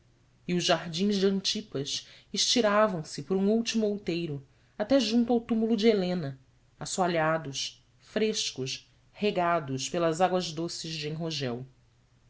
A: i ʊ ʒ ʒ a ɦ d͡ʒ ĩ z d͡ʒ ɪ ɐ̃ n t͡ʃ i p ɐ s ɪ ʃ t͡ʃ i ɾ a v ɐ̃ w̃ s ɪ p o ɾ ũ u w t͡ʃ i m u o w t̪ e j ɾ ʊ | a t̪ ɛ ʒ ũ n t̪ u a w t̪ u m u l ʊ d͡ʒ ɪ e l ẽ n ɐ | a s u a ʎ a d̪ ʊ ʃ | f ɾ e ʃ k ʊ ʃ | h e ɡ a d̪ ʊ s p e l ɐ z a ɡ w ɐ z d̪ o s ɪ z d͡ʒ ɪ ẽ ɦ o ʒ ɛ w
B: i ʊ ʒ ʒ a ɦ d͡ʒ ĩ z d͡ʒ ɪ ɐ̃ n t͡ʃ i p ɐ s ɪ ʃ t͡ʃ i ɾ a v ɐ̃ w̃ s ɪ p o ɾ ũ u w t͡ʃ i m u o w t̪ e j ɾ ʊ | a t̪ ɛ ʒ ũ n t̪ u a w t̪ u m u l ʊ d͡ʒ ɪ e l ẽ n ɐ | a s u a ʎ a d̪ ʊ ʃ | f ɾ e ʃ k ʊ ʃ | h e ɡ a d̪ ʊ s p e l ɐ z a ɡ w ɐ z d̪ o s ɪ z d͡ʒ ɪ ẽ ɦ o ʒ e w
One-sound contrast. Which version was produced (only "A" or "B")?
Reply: A